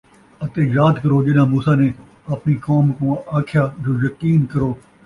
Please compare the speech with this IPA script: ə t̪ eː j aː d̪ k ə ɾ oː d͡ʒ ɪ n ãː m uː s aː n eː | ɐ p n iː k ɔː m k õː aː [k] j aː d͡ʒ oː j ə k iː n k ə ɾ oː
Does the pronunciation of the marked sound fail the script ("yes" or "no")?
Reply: yes